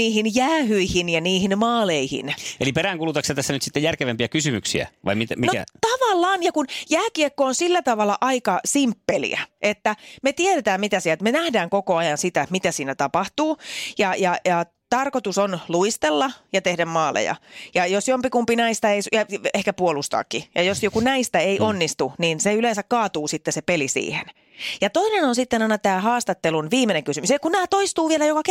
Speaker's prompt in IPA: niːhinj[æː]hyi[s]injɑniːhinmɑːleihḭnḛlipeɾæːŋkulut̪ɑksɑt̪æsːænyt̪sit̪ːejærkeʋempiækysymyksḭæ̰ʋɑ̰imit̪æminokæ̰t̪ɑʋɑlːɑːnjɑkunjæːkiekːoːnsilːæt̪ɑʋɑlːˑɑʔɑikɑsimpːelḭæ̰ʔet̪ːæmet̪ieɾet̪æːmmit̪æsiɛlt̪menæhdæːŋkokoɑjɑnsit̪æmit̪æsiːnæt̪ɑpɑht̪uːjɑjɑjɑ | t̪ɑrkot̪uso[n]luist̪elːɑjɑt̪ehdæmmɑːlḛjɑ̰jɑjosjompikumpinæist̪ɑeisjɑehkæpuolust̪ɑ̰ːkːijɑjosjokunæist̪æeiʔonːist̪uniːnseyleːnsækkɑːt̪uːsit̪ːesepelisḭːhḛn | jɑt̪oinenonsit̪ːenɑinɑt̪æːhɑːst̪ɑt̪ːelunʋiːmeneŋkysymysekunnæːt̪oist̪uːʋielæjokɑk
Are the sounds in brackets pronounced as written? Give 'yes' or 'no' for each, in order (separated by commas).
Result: yes, no, yes